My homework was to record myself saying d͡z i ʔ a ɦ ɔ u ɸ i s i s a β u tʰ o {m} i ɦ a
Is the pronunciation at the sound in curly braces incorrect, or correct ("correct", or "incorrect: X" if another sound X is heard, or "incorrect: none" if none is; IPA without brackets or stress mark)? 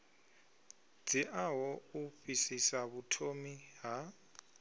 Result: correct